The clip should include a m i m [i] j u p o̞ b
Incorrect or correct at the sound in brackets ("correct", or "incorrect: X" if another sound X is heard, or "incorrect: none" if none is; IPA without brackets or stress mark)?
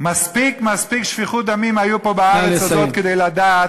incorrect: a